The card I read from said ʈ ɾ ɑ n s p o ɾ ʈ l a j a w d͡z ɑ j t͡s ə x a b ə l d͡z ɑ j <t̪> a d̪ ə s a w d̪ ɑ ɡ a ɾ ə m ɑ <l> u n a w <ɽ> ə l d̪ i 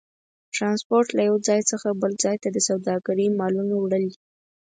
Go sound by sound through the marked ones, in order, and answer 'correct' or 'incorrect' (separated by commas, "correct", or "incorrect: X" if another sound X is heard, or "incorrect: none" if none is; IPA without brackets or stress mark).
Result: correct, correct, correct